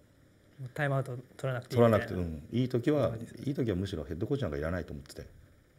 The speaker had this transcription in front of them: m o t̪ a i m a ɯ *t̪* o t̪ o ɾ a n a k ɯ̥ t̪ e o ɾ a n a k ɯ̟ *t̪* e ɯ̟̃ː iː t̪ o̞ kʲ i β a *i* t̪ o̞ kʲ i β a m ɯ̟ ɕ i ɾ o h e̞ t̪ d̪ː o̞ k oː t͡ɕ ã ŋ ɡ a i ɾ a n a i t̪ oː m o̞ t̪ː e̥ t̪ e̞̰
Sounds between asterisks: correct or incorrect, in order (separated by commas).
correct, correct, incorrect